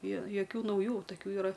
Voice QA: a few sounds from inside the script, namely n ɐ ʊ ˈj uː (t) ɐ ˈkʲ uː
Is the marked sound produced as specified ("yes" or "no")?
yes